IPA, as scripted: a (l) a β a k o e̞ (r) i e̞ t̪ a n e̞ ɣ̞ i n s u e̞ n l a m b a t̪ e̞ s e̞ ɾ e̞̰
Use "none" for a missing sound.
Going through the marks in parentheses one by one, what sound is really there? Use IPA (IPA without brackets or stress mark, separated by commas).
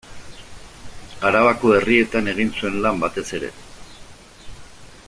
ɾ, r